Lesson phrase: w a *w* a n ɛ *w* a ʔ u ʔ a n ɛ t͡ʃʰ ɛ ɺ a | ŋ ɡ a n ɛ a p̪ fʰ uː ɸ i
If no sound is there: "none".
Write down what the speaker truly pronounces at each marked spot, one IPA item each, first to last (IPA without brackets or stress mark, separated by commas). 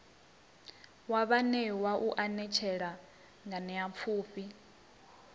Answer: β, w